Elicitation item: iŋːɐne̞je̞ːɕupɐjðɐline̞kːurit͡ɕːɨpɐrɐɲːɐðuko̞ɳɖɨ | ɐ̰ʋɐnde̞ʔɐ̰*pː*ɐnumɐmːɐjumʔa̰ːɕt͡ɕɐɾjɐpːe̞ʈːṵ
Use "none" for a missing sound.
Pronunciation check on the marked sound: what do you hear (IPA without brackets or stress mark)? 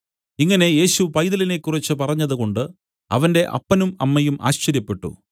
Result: pː